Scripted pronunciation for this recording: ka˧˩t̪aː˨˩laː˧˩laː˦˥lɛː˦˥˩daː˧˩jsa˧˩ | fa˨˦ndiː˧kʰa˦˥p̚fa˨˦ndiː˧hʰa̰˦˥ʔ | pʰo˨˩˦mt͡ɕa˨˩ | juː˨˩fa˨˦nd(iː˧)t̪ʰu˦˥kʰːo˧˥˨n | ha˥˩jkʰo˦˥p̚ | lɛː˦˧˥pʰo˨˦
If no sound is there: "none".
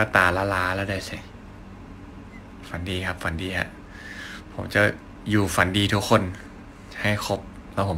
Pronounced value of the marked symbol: iː˧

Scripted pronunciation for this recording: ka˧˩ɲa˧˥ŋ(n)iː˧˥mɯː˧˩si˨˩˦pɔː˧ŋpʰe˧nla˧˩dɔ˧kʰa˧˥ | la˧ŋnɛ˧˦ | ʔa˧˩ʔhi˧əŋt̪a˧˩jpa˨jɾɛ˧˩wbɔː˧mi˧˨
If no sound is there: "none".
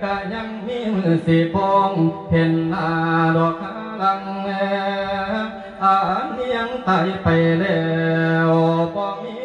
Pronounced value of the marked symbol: m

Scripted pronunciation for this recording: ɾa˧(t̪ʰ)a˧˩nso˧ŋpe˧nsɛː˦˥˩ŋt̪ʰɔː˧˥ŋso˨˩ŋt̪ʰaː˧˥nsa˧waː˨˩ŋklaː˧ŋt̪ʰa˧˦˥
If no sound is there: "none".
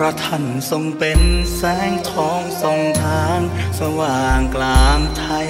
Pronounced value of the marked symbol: t̪ʰ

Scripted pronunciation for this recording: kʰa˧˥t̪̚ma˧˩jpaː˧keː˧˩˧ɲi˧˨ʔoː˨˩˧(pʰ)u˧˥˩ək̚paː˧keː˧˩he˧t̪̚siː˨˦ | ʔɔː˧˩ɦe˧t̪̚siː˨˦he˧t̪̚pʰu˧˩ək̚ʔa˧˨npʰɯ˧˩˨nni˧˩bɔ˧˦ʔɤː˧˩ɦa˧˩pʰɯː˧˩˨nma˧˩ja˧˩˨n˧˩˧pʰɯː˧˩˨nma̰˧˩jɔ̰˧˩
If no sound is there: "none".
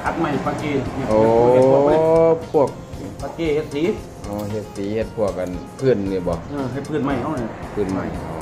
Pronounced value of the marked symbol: pʰ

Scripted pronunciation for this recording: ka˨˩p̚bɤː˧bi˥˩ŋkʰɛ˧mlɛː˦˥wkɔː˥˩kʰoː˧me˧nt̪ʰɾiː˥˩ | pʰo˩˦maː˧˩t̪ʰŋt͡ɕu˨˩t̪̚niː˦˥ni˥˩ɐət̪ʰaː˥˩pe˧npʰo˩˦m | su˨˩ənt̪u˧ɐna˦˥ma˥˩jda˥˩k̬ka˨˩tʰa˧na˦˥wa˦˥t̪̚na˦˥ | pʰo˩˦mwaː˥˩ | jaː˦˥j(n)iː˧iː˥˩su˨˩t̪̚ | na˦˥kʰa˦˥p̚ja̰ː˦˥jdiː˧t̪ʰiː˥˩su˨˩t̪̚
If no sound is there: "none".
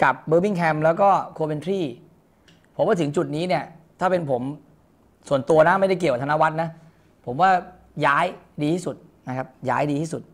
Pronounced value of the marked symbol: d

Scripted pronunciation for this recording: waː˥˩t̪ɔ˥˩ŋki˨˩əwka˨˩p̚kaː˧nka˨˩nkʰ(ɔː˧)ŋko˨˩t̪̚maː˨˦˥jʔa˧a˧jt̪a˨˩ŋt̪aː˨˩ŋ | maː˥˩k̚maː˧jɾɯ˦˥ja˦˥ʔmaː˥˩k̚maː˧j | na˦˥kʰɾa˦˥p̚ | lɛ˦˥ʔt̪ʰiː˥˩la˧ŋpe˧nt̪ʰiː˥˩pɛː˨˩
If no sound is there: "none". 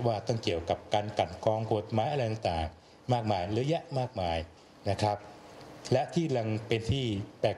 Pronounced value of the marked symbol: ɔː˧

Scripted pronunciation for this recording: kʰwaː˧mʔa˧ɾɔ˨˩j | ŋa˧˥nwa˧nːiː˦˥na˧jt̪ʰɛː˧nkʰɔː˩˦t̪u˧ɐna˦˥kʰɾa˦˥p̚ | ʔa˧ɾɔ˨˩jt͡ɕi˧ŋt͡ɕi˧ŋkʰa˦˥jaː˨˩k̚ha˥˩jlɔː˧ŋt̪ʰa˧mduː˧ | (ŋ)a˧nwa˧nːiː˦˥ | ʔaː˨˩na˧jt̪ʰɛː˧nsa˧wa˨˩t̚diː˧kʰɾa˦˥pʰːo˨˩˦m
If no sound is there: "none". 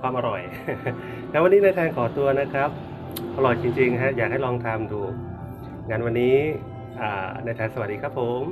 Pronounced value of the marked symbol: ŋ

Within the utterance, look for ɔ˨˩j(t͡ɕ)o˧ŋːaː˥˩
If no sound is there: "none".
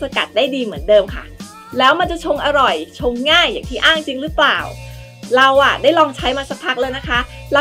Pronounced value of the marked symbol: t͡ɕʰ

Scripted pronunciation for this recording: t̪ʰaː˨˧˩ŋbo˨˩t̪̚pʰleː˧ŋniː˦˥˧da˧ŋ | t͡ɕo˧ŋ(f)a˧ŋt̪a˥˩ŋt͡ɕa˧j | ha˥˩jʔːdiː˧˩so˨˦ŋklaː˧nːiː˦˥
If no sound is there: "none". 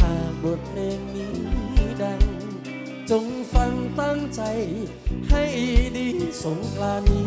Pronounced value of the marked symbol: f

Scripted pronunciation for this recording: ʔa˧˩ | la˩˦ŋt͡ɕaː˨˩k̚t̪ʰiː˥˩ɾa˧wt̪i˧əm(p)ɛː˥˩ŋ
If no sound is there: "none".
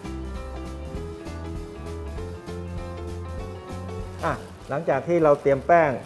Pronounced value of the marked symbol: p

